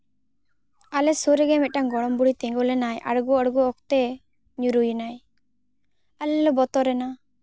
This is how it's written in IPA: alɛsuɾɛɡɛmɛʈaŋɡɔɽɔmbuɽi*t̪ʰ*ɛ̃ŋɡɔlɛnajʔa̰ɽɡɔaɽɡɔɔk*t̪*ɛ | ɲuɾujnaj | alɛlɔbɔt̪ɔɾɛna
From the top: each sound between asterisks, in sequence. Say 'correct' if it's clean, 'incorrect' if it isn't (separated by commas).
incorrect, correct